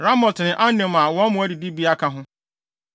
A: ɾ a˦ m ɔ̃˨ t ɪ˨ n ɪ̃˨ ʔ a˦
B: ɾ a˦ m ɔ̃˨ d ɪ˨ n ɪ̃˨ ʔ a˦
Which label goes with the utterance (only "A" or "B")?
A